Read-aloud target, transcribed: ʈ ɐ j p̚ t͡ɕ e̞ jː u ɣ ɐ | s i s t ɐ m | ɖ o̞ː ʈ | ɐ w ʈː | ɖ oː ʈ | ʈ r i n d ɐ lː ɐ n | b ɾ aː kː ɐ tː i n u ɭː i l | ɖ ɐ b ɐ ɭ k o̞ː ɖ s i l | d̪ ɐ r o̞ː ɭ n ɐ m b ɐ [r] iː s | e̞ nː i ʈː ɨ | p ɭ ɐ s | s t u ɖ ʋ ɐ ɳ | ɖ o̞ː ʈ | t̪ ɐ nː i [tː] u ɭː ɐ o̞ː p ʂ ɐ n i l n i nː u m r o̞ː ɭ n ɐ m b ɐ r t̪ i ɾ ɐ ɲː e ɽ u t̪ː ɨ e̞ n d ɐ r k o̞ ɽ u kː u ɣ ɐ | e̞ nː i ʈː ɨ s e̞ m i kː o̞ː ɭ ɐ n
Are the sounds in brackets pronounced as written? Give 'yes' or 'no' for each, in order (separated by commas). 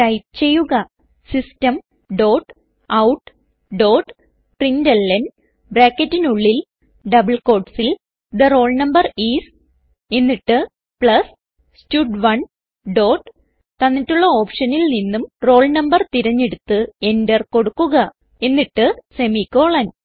yes, yes